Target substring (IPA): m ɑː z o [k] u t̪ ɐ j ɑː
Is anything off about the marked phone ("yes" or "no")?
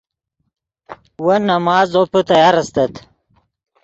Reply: yes